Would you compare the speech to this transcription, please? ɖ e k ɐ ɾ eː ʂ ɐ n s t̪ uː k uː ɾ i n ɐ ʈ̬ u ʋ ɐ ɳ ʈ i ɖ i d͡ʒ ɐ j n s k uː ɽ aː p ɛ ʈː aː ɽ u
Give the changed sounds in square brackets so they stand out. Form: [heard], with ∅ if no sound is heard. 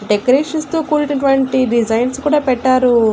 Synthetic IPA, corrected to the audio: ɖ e k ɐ ɾ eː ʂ ɐ n s t̪ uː k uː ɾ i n ɐ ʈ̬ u ʋ ɐ ɳ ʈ i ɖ i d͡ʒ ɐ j n s k uː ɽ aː p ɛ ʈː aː [ɾ] u